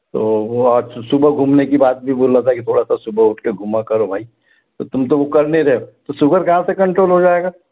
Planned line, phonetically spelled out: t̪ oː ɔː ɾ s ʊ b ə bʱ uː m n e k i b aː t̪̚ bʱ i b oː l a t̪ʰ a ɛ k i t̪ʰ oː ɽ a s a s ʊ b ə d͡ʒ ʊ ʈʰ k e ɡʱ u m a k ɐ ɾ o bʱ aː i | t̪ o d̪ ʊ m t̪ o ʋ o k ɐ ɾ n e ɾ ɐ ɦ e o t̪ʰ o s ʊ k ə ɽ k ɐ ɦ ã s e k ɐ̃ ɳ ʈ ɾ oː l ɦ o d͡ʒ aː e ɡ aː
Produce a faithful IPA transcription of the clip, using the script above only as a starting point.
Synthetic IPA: t̪ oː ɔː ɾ s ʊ b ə ɡʱ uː m n e k i b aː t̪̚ bʱ i b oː l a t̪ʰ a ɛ k i t̪ʰ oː ɽ a s a s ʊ b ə ʊ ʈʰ k e ɡʱ u m a k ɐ ɾ o bʱ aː i | t̪ o t̪ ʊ m t̪ o ʋ o k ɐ ɾ n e ɾ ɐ ɦ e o t̪ o s ʊ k ə ɾ k ɐ ɦ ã s e k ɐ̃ ɳ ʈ ɾ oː l ɦ o d͡ʒ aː e ɡ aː